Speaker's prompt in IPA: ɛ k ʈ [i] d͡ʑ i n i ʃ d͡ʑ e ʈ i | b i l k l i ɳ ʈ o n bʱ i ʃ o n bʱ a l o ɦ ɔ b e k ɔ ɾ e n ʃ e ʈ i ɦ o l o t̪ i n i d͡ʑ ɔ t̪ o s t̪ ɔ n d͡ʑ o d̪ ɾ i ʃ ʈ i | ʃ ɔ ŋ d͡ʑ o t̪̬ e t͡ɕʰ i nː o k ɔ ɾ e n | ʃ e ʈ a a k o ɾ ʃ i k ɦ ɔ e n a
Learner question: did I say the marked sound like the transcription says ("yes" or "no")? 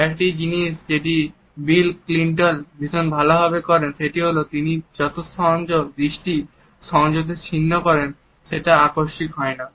yes